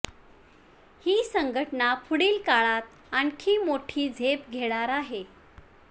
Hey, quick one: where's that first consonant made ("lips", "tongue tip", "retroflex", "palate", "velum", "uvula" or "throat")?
throat